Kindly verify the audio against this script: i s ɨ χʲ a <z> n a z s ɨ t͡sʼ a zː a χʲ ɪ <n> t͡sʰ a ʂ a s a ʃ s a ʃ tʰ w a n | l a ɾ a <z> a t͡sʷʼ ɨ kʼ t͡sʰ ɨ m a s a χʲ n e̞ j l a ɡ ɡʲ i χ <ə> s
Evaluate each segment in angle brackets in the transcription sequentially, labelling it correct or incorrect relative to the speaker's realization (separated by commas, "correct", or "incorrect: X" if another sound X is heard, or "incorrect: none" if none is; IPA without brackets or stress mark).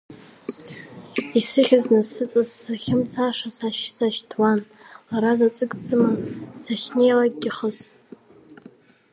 correct, incorrect: m, correct, correct